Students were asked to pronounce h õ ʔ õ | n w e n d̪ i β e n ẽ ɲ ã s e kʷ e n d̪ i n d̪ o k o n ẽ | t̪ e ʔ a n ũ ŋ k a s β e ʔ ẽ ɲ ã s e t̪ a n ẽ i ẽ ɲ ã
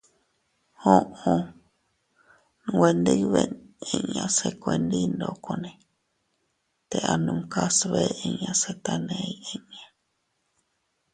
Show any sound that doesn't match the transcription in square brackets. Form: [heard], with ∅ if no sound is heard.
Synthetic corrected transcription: h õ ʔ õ | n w e n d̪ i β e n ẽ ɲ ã s e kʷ e n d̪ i n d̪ o k o n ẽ | t̪ e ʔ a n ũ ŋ k a s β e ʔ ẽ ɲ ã s e t̪ a n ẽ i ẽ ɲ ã